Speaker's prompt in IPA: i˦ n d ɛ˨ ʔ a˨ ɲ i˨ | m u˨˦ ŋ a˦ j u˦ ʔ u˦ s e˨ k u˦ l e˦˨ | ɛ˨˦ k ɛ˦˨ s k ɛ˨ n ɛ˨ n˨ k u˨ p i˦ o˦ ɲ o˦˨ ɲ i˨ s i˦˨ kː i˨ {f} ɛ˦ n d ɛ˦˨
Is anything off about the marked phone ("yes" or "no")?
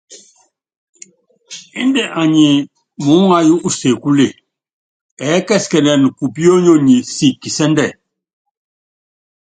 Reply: yes